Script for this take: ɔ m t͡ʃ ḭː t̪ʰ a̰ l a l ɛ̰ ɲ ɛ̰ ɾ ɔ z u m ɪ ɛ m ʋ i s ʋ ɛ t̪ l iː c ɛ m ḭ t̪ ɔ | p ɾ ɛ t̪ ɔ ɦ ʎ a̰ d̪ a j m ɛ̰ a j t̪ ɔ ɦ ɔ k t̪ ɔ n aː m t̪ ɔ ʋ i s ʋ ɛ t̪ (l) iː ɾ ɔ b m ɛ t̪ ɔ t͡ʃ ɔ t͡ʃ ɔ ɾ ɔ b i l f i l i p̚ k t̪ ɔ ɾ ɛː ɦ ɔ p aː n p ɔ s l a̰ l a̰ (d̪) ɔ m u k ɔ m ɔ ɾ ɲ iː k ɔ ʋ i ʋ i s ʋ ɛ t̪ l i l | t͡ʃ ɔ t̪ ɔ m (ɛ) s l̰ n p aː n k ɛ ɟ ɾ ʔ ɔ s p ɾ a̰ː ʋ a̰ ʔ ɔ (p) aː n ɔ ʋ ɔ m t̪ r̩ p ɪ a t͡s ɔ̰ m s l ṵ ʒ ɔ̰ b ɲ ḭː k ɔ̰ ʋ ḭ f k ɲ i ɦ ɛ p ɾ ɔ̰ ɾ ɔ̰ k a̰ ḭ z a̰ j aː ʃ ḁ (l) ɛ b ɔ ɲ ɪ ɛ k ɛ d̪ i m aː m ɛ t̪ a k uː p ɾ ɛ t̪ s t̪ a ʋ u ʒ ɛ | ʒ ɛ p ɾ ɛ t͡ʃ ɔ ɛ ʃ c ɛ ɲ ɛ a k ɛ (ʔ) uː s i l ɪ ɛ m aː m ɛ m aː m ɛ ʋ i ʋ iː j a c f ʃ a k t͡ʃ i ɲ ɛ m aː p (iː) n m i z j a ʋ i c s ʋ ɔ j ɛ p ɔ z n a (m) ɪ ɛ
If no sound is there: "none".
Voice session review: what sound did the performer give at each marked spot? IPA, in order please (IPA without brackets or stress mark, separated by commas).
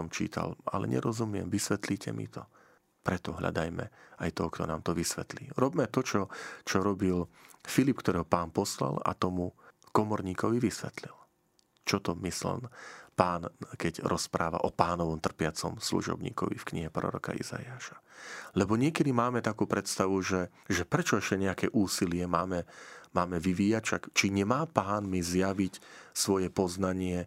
l, t̪, i, p, l, ʔ, aː, ɲ